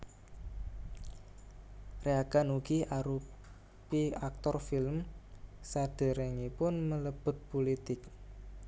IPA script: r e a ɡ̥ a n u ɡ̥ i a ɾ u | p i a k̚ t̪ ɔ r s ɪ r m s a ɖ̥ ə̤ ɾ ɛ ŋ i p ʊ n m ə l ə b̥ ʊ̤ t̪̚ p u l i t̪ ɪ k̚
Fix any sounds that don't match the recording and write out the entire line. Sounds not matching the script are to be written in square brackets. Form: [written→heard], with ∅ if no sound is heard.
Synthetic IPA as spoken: r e a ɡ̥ a n u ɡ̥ i a ɾ u | p i a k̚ t̪ ɔ r [s→f] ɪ [r→l] m s a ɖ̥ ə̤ ɾ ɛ ŋ i p ʊ n m ə l ə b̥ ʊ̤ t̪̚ p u l i t̪ ɪ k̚